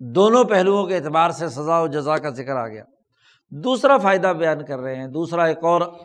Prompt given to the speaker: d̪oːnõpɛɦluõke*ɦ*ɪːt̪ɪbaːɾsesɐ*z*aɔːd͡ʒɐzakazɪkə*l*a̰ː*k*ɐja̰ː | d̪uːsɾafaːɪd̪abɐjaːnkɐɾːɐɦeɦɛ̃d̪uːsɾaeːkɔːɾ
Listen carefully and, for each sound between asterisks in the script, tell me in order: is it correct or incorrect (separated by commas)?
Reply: incorrect, correct, incorrect, incorrect